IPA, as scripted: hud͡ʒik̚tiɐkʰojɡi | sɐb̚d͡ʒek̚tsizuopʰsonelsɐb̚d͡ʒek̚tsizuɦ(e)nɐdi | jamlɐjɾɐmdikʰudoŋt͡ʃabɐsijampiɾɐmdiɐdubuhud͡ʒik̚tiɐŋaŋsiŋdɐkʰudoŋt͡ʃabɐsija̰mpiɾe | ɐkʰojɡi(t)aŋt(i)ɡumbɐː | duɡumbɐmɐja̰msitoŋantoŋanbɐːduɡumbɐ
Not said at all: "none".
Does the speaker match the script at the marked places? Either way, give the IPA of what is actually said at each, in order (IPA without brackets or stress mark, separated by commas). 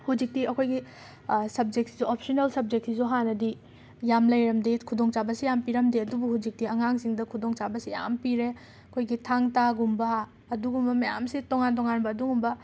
a, tʰ, a